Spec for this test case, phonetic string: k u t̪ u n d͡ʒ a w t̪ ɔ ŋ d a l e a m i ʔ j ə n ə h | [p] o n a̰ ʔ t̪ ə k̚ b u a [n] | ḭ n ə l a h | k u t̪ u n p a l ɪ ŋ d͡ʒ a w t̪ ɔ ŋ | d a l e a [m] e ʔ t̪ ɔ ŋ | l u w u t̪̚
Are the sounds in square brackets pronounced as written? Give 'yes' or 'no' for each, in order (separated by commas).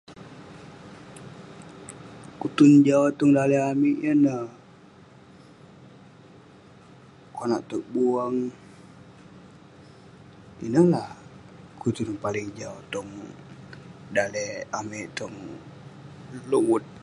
no, no, yes